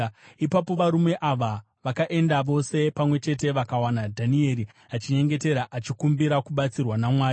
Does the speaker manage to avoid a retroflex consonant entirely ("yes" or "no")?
yes